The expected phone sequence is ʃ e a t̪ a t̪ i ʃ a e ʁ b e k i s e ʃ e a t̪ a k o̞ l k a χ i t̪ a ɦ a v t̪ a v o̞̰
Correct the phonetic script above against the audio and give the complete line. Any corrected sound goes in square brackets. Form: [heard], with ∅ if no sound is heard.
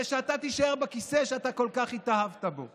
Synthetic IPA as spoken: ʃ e a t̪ a t̪ i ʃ a e ʁ b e k i s e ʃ e a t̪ a k o̞ l k a χ i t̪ a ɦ a v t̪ a [b] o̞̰